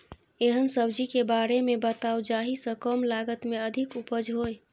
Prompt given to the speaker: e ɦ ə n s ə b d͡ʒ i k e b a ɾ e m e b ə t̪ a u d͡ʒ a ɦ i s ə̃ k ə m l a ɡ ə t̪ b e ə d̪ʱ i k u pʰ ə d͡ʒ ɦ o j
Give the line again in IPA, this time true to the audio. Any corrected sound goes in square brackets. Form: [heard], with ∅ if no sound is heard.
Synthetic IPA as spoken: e ɦ ə n s ə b d͡ʒ i k e b a ɾ e m e b ə t̪ a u d͡ʒ a ɦ i s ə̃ k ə m l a ɡ ə t̪ [m] e ə d̪ʱ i k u [p] ə d͡ʒ ɦ o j